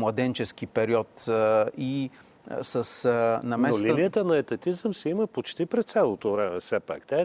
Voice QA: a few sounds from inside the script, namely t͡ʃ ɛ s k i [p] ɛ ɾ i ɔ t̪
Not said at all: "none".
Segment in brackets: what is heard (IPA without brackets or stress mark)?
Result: p